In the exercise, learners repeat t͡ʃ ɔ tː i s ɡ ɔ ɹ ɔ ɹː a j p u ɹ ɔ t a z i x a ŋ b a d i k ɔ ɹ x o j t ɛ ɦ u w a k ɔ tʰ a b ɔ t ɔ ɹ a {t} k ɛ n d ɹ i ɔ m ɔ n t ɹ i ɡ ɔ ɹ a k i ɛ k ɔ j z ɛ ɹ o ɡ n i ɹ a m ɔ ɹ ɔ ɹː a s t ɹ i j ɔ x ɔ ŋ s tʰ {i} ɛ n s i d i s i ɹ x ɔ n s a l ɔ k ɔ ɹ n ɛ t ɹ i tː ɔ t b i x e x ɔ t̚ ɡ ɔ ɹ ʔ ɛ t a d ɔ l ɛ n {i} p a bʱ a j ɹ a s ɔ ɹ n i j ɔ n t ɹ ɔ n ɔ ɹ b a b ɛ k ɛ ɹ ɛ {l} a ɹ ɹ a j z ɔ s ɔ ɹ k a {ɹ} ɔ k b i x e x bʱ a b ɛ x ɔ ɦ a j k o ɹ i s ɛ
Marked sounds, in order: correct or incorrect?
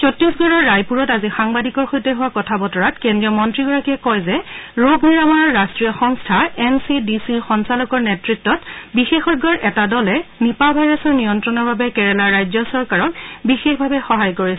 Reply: correct, incorrect: a, correct, correct, correct

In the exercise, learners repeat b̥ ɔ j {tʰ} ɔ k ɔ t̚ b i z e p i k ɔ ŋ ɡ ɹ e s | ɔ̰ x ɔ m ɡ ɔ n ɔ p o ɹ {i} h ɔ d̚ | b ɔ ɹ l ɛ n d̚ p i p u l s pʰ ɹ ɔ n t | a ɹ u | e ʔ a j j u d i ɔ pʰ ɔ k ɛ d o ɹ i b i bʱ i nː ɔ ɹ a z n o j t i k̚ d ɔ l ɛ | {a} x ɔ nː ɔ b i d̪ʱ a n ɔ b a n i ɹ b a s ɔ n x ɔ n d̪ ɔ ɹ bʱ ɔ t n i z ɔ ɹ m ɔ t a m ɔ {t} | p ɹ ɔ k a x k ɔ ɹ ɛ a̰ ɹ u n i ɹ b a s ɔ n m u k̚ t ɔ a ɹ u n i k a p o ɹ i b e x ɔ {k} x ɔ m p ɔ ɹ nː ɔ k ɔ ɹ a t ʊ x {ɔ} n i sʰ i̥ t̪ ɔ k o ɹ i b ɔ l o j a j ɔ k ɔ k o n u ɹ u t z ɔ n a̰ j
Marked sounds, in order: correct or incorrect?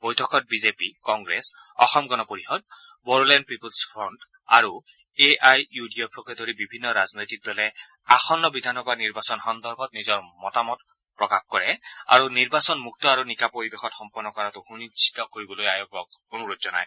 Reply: correct, correct, correct, correct, incorrect: t, incorrect: u

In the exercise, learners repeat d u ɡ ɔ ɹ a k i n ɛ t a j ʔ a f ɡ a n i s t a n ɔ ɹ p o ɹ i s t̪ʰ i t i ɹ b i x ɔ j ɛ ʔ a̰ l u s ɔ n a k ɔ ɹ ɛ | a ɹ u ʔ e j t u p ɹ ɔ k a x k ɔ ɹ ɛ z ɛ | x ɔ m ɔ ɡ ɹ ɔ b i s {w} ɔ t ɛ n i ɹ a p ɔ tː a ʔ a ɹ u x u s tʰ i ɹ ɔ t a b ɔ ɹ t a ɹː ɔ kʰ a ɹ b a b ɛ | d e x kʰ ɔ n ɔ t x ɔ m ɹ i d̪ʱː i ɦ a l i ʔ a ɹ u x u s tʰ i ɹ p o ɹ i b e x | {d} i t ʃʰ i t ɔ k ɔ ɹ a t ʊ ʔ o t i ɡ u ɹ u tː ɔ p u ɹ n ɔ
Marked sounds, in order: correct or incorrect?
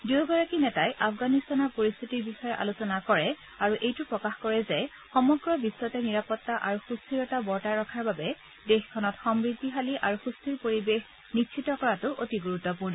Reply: correct, incorrect: n

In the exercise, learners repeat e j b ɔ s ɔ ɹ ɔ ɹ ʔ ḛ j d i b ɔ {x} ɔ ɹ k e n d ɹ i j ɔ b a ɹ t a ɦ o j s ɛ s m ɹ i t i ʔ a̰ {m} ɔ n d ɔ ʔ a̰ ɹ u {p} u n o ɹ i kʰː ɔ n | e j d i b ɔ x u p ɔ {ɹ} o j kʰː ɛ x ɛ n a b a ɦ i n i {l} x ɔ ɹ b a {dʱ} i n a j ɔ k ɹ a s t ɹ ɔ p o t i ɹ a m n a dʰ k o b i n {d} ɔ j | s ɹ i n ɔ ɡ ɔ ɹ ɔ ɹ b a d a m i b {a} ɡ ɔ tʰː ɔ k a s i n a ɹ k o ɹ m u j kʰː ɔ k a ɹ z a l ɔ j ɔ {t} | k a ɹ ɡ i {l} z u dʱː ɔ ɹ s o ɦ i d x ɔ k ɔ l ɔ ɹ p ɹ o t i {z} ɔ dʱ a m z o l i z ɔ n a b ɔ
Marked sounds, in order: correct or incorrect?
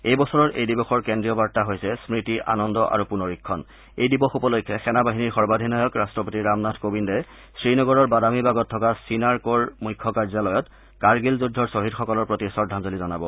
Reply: correct, incorrect: n, correct, incorrect: l, incorrect: ɹ, correct, correct, correct, correct, correct, incorrect: s

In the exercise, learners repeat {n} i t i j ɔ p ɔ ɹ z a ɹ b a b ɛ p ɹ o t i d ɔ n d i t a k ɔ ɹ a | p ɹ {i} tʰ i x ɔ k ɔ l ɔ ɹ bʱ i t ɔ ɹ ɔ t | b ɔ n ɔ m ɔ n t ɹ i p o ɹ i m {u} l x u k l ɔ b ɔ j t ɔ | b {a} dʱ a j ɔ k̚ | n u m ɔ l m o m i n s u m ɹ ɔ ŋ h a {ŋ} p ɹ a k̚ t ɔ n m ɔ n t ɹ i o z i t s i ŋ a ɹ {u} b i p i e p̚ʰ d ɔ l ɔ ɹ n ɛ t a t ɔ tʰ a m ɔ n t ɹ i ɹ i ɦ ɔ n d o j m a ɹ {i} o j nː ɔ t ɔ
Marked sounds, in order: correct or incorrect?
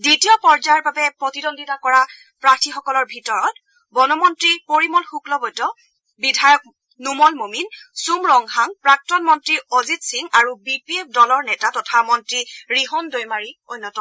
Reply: incorrect: d, incorrect: a, incorrect: ɔ, incorrect: i, correct, correct, correct

